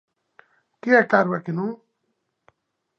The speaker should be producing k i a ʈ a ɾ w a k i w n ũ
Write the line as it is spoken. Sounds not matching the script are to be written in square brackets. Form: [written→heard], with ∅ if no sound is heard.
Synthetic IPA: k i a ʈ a ɾ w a k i [w→∅] n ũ